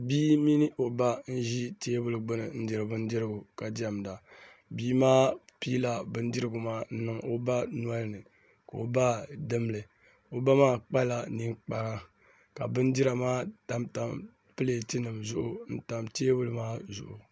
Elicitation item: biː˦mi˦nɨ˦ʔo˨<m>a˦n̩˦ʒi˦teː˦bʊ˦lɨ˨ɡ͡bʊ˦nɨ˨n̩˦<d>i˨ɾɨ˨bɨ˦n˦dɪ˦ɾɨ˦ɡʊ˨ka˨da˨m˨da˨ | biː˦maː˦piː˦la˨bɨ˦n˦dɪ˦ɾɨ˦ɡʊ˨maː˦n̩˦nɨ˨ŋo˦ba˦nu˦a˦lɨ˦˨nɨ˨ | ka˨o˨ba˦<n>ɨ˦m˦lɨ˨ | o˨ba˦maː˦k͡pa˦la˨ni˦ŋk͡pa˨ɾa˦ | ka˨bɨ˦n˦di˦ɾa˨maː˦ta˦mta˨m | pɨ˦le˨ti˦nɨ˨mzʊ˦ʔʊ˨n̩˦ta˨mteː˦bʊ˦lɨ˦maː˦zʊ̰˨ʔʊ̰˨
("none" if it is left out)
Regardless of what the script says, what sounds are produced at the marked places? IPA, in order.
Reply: b, d, d

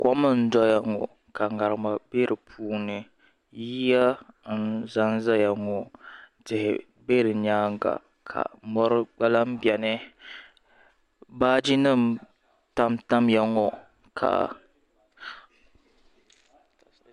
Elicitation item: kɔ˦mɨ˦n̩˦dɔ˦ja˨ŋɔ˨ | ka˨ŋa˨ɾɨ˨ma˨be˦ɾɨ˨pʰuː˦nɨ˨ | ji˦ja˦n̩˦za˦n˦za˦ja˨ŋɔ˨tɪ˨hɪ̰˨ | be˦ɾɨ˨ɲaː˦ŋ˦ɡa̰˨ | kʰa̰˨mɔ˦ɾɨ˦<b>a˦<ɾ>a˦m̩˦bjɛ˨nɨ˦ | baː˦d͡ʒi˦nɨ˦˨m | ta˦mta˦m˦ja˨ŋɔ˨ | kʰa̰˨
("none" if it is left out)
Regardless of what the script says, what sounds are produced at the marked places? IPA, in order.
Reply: ɡ͡b, l

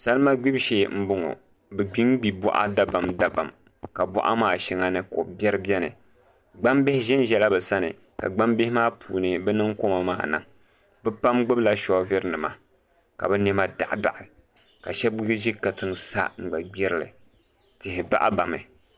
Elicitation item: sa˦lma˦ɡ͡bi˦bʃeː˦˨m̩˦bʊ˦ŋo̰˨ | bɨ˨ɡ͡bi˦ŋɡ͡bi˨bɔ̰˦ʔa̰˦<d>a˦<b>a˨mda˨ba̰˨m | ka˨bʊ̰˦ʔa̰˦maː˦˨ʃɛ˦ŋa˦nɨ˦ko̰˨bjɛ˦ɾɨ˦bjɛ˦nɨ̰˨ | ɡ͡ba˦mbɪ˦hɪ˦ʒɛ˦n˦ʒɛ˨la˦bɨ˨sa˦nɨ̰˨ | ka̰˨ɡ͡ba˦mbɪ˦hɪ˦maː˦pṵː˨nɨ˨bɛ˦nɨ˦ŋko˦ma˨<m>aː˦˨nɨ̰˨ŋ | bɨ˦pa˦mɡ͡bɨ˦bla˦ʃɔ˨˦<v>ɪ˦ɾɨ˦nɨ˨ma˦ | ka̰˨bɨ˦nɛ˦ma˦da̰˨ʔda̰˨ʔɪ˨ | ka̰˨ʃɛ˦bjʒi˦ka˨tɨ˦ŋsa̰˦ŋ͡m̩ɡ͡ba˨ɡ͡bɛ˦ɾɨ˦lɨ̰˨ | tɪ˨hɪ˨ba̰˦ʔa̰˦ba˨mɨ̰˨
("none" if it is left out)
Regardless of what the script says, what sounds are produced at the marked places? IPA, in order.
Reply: d, b, m, v

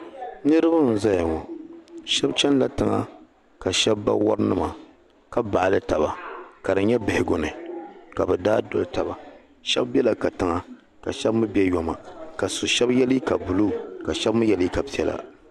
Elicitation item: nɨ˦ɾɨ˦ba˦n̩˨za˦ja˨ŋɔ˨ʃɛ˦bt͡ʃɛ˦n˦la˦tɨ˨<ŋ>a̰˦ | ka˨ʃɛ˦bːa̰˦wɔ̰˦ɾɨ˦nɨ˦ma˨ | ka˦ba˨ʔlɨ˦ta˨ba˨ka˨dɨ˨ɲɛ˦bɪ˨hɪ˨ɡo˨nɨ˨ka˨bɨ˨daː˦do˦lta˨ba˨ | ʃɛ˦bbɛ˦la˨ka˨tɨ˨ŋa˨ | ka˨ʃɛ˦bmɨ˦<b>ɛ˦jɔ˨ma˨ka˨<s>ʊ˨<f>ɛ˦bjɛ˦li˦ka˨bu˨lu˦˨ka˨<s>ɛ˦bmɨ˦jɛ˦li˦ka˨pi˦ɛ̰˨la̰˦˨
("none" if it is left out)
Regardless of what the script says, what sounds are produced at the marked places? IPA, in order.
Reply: ŋ, b, s, ʃ, ʃ

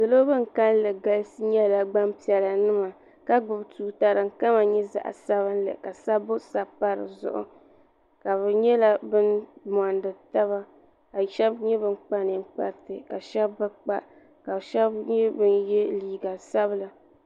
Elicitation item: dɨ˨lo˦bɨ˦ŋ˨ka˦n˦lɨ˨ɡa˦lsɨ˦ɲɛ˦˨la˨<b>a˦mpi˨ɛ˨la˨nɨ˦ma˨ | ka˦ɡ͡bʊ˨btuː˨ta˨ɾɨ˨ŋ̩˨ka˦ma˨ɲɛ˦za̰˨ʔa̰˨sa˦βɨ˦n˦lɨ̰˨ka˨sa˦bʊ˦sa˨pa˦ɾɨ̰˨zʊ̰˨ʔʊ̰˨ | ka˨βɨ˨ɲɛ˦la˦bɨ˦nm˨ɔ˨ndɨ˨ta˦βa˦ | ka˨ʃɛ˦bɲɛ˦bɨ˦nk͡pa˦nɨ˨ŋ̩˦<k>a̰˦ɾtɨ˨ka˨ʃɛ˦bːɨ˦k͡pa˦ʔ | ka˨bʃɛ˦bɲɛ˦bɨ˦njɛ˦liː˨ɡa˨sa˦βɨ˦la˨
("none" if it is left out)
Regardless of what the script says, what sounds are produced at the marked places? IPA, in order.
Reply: ɡ͡b, k͡p

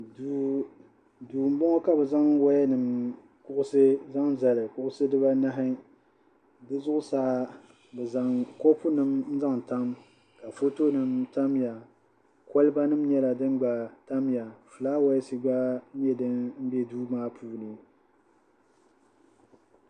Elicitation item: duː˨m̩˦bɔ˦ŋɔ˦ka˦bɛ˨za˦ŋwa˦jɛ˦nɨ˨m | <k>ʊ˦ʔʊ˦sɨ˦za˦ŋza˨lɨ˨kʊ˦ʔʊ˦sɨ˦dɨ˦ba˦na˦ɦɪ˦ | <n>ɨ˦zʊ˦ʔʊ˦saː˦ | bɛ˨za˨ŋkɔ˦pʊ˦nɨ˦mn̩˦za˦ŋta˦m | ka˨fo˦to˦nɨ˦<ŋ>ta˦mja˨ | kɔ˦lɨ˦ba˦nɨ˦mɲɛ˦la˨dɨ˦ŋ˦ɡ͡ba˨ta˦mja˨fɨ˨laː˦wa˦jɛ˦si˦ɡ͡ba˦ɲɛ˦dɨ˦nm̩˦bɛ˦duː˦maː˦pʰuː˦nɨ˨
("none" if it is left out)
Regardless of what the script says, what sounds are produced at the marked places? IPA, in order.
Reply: k, d, m

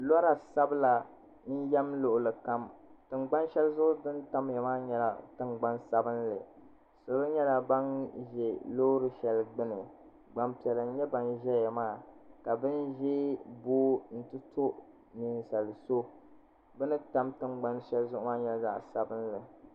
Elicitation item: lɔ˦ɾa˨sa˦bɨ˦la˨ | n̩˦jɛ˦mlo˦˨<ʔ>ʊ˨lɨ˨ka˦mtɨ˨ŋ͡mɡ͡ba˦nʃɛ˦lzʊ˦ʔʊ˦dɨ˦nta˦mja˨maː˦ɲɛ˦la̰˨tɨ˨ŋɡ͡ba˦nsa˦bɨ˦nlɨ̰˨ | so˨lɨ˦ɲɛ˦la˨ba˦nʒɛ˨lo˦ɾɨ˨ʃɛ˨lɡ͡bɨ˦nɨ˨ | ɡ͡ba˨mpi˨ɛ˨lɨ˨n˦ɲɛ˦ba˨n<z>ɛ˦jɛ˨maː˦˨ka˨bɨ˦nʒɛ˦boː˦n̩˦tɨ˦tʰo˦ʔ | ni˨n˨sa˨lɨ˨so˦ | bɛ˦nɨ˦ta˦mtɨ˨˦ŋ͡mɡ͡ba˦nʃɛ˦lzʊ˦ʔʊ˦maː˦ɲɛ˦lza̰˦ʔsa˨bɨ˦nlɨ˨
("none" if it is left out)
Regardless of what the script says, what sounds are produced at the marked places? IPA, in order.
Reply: ʔ, ʒ

